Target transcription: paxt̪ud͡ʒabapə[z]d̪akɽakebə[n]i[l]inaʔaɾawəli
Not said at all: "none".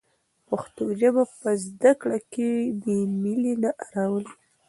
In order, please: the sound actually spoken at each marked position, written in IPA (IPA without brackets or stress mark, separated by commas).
z, m, l